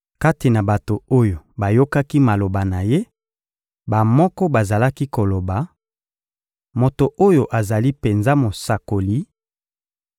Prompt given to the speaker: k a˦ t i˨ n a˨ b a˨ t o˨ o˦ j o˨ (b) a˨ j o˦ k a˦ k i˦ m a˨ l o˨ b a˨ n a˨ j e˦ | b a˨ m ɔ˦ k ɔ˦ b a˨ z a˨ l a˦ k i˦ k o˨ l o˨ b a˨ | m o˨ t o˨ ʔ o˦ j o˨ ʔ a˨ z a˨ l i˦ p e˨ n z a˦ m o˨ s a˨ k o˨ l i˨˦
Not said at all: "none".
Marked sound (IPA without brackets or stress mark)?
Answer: b